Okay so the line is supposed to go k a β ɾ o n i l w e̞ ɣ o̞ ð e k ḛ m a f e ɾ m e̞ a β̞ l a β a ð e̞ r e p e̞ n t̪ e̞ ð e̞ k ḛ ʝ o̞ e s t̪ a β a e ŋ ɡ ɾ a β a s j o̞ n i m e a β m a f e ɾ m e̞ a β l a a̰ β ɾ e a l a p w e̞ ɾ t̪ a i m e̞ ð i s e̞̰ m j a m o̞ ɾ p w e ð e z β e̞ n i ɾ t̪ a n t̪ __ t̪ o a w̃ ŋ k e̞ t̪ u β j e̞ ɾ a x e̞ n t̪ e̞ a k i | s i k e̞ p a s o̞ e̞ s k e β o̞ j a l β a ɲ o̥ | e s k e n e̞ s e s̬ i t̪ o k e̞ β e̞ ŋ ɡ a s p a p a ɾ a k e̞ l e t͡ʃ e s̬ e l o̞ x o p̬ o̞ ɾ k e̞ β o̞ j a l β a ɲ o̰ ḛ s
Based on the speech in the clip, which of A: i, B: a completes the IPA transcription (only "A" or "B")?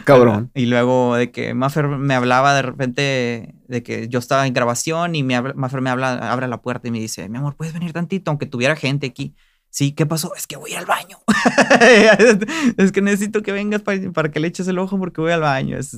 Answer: A